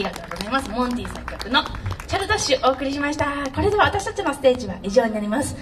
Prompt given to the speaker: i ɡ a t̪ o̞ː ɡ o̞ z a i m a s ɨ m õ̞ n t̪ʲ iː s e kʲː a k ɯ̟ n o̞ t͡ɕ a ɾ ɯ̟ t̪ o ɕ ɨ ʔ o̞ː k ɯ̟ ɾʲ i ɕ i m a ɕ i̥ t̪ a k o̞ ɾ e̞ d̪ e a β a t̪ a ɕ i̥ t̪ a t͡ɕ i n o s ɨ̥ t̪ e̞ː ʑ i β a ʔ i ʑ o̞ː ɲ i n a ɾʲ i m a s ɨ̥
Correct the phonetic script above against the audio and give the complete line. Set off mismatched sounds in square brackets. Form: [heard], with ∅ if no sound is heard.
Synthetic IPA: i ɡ a t̪ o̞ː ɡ o̞ z a i m a s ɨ m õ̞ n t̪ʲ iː s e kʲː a k ɯ̟ n o̞ t͡ɕ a ɾ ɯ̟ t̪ o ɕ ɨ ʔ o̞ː k ɯ̟ ɾʲ i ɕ i m a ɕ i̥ t̪ a k o̞ ɾ e̞ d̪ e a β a t̪ a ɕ i̥ t̪ a t͡ɕ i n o s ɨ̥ t̪ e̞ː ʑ i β a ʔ i ʑ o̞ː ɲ i n a ɾʲ i m a s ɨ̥